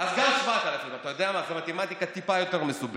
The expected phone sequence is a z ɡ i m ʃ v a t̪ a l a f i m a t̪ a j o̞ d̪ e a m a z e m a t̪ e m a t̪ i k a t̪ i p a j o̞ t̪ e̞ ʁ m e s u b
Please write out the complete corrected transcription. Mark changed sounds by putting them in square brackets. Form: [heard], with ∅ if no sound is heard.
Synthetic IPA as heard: a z ɡ [a] m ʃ v a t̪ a l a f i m a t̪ a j o̞ d̪ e a m a z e m a t̪ e m a t̪ i k a t̪ i p a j o̞ t̪ e̞ ʁ m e s u b